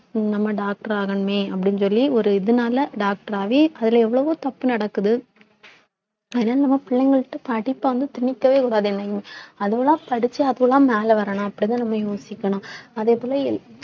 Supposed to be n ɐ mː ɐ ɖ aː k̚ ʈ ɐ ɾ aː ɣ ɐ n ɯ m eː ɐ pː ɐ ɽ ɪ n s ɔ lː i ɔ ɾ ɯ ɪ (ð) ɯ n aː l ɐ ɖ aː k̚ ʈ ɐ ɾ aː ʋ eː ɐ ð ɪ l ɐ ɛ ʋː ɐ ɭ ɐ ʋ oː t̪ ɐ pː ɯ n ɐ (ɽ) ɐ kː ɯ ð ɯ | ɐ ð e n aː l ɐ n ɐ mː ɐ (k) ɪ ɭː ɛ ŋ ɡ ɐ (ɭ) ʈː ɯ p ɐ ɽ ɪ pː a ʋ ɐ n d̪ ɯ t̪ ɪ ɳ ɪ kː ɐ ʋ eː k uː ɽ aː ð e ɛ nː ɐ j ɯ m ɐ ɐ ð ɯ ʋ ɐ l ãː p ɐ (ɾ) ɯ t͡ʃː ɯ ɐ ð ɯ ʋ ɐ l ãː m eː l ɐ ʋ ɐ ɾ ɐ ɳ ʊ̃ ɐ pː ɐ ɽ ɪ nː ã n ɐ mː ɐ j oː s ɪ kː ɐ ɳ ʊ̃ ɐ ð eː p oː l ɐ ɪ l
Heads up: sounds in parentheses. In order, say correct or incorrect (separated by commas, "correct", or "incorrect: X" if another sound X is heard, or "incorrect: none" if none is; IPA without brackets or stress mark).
correct, correct, incorrect: p, correct, incorrect: ɽ